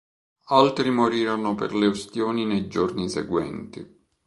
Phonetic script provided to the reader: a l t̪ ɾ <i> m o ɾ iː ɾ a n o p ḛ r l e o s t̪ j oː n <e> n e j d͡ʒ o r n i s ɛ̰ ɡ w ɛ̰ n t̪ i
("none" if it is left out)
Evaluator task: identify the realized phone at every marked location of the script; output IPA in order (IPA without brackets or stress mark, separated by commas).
i, i